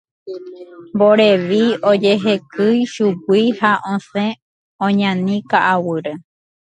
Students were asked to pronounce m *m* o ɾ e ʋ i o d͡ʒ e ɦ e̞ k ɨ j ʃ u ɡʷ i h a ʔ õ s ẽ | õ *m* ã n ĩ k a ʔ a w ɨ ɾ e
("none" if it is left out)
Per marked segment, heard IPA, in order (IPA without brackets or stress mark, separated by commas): b, ɲ